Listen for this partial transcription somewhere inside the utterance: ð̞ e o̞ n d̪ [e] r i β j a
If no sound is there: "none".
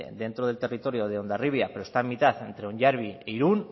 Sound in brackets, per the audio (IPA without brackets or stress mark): a